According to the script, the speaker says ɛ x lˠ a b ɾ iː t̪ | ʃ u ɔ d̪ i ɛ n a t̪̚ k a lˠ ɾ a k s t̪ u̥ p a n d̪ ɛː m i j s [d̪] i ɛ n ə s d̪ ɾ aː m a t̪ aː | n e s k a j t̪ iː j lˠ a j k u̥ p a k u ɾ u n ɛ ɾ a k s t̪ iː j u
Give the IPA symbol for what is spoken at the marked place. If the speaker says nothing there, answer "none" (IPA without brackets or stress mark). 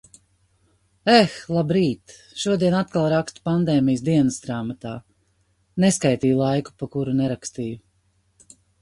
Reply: d̪